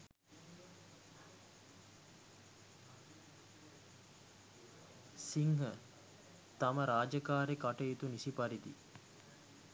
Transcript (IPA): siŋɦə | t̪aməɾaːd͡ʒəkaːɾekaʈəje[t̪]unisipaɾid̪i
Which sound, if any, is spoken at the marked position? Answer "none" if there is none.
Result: t̪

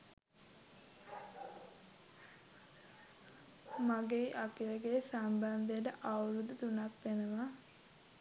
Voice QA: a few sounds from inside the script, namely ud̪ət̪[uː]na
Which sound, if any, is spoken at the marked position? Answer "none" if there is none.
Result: u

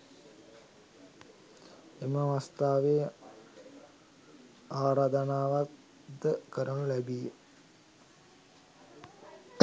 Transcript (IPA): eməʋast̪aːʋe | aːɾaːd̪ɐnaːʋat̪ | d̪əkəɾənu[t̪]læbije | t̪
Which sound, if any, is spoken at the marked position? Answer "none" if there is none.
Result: none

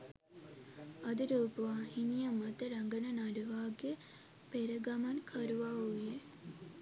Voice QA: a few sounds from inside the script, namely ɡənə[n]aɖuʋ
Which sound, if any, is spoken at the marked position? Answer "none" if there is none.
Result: n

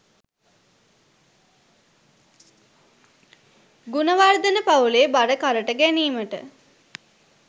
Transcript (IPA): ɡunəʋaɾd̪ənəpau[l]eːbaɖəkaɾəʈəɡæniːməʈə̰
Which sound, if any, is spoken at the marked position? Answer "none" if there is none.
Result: l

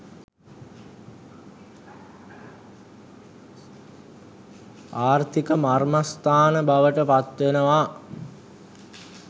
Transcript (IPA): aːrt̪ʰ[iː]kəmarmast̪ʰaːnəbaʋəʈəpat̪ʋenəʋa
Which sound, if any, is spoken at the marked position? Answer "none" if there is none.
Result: i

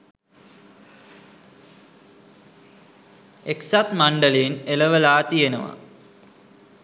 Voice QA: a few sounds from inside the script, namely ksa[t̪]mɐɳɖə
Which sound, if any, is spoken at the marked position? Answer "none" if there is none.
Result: t̪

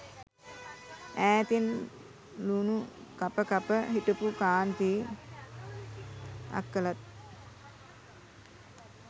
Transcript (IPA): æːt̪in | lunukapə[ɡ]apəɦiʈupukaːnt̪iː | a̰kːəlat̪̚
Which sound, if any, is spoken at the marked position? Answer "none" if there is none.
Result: k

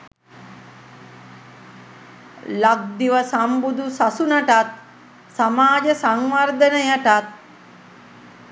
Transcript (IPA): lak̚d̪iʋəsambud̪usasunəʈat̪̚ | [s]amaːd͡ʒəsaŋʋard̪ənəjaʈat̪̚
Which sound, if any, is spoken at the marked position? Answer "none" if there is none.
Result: s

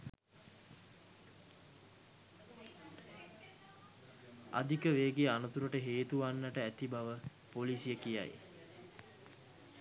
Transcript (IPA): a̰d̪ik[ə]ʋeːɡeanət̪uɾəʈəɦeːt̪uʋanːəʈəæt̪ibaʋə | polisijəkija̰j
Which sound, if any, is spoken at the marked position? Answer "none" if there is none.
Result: ə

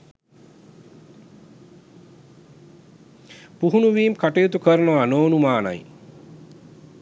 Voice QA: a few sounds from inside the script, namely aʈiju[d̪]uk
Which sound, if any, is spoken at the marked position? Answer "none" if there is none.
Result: t̪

